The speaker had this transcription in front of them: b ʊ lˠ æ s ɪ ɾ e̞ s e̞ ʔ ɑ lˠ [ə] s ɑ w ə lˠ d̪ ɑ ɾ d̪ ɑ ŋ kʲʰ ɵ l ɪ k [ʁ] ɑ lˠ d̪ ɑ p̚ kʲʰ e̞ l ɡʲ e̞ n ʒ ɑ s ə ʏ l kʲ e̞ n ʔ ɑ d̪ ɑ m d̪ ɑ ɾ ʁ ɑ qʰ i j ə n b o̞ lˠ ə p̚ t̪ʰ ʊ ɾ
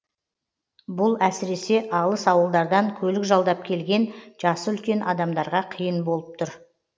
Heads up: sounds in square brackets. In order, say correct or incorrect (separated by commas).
correct, incorrect